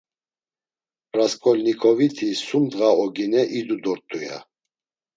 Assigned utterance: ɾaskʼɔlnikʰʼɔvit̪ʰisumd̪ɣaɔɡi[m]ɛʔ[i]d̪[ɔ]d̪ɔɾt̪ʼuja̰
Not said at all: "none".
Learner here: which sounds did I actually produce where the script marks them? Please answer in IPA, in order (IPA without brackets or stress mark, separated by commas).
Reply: n, i, u